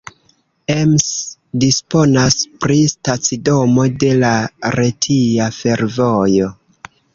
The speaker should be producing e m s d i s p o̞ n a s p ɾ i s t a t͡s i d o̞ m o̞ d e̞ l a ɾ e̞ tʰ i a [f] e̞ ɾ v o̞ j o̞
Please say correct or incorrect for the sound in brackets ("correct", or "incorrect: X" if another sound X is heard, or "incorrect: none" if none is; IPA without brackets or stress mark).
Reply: correct